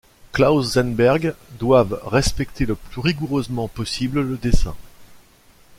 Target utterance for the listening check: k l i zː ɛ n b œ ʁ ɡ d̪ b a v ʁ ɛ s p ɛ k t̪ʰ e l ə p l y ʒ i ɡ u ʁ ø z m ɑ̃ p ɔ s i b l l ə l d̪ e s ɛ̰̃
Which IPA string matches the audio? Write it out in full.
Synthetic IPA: k l a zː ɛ n b ɛ ʁ ɡ d̪ w a v ʁ ɛ s p ɛ k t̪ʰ e l ə p l y ʁ i ɡ u ʁ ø z m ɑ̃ p ɔ s i b l l ə d̪ e s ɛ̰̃